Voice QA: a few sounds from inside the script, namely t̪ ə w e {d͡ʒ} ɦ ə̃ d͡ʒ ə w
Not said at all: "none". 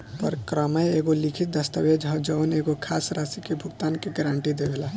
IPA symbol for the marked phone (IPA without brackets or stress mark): d͡ʒ